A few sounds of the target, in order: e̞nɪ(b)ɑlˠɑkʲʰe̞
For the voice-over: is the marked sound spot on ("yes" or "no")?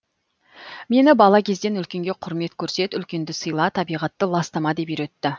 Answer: yes